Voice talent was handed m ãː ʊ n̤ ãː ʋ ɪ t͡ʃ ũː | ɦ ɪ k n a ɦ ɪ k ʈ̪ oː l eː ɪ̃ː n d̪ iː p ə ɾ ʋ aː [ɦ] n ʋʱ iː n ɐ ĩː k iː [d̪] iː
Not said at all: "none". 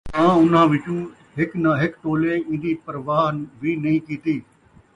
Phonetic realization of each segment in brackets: ɦ, t̪

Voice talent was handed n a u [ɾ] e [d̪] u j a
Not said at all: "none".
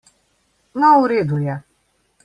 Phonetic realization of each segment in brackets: ɾ, d̪

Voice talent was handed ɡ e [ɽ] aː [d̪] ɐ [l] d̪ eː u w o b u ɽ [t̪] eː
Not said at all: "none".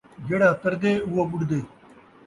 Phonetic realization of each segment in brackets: ɽ, t̪, ɾ, d̪

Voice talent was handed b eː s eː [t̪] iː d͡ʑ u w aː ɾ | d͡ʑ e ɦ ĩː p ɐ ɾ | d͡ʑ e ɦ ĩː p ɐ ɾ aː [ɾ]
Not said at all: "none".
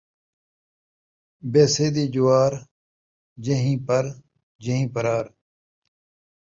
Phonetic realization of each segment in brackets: d̪, ɾ

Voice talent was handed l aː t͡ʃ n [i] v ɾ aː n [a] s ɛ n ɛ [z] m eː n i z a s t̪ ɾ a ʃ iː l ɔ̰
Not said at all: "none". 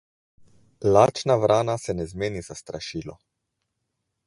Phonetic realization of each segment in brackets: a, a, z

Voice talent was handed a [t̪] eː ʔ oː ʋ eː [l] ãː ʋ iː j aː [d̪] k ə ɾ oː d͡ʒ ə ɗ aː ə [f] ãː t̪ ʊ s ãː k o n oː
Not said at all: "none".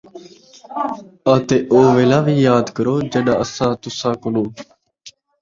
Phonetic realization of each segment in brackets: t̪, l, d̪, s

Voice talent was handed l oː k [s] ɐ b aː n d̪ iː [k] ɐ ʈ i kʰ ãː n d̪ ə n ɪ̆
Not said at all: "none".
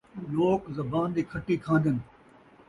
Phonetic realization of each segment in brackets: z, kʰ

